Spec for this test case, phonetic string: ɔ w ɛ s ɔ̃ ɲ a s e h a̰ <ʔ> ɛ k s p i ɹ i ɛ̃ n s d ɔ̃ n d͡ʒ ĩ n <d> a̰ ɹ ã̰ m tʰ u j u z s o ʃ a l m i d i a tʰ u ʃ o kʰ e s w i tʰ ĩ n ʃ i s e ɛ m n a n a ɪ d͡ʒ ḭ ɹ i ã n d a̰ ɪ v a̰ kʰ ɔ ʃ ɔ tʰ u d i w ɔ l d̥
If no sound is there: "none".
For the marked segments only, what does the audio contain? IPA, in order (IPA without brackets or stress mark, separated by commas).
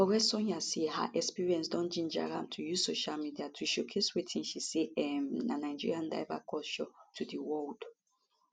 ʔ, d͡ʒ